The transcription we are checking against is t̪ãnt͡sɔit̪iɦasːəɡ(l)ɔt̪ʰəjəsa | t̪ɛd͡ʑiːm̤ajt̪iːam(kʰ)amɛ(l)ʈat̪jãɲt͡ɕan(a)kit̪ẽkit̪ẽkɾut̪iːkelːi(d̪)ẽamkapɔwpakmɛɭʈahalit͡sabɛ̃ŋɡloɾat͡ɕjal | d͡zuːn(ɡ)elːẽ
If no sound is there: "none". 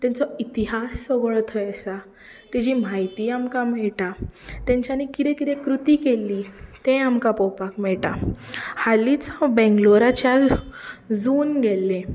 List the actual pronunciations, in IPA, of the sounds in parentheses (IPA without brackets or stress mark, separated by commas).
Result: ɭ, k, ɭ, i, t̪, ɡ